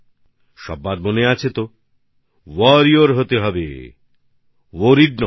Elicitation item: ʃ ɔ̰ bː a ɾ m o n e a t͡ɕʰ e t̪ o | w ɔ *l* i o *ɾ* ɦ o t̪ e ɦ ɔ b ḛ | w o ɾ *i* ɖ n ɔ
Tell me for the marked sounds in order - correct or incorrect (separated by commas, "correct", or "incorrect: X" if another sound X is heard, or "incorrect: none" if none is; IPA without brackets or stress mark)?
incorrect: ɾ, correct, correct